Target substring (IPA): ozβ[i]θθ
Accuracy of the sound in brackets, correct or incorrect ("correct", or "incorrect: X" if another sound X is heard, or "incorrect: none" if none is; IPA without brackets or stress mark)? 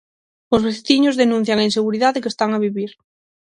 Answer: incorrect: e